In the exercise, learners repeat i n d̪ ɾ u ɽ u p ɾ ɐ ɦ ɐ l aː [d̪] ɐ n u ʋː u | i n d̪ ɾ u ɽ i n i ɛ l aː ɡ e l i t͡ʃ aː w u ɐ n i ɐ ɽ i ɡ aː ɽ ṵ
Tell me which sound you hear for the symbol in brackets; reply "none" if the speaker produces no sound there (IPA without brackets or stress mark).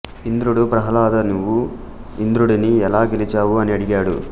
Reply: d̪